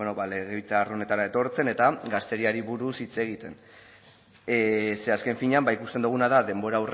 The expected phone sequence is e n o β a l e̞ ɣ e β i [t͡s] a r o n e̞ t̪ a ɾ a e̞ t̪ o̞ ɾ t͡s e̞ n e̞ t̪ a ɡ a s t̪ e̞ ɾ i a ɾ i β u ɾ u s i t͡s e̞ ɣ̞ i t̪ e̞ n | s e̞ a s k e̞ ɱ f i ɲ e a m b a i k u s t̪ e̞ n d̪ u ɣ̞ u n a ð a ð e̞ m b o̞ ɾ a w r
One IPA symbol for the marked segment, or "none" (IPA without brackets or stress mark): t͡s